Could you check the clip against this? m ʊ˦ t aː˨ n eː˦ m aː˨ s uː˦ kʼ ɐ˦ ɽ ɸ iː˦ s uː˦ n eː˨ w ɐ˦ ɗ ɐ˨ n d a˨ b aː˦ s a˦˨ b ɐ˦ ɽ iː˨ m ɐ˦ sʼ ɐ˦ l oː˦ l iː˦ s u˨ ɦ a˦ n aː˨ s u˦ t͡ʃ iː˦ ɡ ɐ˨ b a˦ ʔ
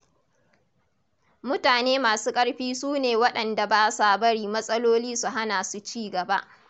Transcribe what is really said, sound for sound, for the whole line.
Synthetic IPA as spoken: m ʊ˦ t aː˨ n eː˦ m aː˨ s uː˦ kʼ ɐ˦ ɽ ɸ iː˦ s uː˦ n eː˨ w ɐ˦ ɗ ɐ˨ n d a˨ b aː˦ s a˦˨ b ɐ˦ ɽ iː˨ m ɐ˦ sʼ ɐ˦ l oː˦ l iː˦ s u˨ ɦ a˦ n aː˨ s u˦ t͡ʃ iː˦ ɡ ɐ˨ b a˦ ʔ